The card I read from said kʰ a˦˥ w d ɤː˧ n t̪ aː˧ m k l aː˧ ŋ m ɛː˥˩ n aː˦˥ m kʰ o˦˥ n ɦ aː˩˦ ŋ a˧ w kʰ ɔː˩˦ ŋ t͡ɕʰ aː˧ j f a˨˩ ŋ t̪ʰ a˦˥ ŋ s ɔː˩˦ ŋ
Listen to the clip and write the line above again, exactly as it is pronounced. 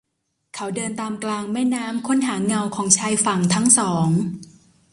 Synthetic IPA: kʰ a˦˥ w d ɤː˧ n t̪ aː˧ m k l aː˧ ŋ m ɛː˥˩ n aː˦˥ m kʰ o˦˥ n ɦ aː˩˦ ŋ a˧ w kʰ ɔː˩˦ ŋ t͡ɕʰ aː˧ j f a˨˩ ŋ t̪ʰ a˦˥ ŋ s ɔː˩˦ ŋ